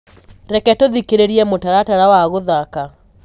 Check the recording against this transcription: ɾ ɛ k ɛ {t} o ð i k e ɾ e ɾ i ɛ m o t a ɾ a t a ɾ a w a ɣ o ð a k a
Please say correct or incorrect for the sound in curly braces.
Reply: correct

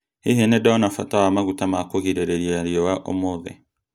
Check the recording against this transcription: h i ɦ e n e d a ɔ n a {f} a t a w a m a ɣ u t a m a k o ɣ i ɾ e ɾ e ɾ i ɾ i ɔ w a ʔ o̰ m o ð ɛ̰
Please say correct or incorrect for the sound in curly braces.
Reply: correct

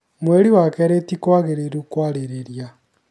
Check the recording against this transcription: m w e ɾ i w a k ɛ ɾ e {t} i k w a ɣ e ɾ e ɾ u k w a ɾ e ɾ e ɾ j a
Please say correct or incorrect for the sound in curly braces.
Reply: correct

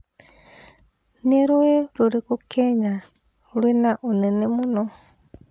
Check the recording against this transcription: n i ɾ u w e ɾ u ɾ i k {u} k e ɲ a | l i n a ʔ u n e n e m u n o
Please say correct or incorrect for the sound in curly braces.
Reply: correct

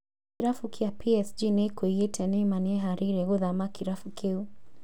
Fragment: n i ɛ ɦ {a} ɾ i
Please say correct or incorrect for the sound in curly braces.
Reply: correct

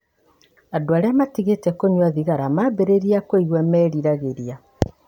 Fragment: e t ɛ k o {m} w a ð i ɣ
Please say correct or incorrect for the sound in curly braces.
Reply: incorrect: ɲ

